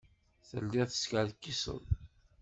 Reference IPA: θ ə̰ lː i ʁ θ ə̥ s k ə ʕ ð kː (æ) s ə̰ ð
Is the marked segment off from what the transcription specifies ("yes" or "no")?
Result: yes